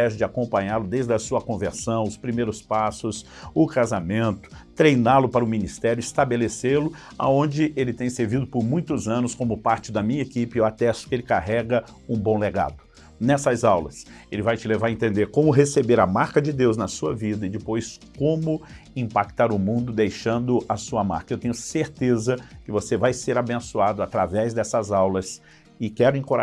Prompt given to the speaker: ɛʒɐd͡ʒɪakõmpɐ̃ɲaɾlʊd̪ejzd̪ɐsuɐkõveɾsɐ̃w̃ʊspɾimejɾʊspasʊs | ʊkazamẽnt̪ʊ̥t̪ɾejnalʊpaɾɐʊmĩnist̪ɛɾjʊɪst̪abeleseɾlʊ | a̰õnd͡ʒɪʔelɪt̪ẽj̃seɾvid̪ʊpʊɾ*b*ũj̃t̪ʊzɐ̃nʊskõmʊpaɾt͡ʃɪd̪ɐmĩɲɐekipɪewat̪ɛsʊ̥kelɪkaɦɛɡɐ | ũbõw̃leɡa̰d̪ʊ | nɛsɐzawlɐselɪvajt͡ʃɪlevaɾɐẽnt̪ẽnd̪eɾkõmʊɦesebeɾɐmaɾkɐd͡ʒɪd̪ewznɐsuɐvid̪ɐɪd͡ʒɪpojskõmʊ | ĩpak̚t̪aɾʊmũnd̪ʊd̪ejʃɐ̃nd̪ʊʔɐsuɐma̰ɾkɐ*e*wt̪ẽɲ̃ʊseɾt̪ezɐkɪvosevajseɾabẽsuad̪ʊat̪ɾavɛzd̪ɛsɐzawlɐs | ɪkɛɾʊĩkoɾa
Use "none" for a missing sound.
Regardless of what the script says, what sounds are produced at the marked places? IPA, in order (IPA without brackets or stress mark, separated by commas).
m, e